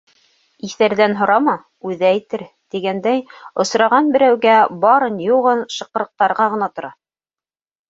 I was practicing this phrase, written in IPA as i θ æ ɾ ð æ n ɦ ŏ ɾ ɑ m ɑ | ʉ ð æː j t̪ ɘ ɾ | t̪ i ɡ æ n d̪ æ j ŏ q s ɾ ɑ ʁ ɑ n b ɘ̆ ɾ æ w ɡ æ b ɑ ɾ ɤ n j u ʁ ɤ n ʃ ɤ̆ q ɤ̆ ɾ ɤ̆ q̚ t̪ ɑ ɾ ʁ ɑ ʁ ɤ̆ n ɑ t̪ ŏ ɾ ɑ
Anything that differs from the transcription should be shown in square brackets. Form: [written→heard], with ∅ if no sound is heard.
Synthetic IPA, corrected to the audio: i θ æ ɾ ð æ n ɦ ŏ ɾ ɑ m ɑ | ʉ ð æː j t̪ ɘ ɾ | t̪ i ɡ æ n d̪ æ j ŏ [q→∅] s ɾ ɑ ʁ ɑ n b ɘ̆ ɾ æ w ɡ æ b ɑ ɾ ɤ n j u ʁ ɤ n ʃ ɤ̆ q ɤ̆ ɾ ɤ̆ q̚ t̪ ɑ ɾ ʁ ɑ ʁ ɤ̆ n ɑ t̪ ŏ ɾ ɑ